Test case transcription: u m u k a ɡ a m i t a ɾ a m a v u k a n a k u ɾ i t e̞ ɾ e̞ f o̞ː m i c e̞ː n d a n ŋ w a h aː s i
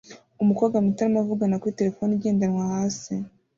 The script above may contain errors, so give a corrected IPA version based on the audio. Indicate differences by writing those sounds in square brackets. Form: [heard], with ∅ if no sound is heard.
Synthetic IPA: u m u k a ɡ a m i t a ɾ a m a v u [ɡ] a n a k u ɾ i t e̞ ɾ e̞ f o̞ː [n] i [ɟ] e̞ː n d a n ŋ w a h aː s i